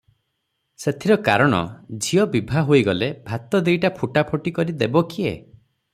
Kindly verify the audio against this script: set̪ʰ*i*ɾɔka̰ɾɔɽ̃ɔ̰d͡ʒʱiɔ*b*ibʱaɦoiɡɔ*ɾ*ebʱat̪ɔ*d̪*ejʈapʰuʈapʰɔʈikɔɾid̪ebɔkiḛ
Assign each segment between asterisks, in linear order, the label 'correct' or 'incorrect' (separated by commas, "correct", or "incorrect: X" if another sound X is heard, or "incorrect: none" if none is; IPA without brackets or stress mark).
correct, correct, incorrect: l, correct